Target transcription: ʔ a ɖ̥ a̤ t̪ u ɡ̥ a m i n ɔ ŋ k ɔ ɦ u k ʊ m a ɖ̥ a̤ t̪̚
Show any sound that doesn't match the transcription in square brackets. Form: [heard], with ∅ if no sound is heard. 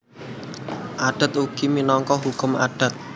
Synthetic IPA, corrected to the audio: ʔ a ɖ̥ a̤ t̪ u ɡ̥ [i] m i n ɔ ŋ k ɔ ɦ u k ʊ m a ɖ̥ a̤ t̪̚